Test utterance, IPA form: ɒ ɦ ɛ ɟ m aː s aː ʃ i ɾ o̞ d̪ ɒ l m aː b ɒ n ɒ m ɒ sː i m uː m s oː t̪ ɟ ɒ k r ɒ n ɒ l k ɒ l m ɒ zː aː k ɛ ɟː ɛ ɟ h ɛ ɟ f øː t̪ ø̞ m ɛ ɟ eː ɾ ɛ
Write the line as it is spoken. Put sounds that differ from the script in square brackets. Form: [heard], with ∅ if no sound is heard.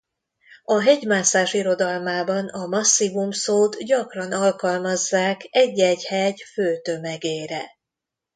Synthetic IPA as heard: ɒ ɦ ɛ ɟ m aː s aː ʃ i ɾ o̞ d̪ ɒ l m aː b ɒ n ɒ m ɒ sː i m [u] m s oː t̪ ɟ ɒ k r ɒ n ɒ l k ɒ l m ɒ zː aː k ɛ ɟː ɛ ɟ h ɛ ɟ f øː t̪ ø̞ m ɛ [ɡ] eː ɾ ɛ